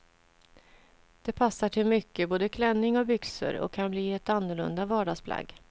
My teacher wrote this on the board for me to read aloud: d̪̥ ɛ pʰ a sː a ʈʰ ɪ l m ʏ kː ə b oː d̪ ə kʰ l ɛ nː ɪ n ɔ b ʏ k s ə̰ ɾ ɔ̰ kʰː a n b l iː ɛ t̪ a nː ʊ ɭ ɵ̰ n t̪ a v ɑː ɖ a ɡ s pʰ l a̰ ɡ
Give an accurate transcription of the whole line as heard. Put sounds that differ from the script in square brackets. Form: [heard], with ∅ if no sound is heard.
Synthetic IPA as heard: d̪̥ ɛ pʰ a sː a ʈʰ ɪ l m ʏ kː ə b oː d̪ ə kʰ l ɛ nː ɪ [ŋ] ɔ b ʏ k s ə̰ ɾ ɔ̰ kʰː a n b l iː ɛ t̪ a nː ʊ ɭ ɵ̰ n [d̪] a v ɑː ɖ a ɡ s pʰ l a̰ ɡ